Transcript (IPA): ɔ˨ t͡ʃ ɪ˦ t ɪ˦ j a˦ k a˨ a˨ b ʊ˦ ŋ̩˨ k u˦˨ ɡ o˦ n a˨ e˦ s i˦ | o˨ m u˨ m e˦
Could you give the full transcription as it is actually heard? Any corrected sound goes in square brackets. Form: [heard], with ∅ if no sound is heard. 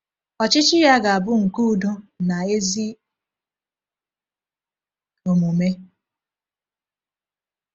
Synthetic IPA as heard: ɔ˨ t͡ʃ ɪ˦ [t͡ʃ] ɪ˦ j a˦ [ɡ] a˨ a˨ b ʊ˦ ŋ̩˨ k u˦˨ [d] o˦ n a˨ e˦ [z] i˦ | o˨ m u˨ m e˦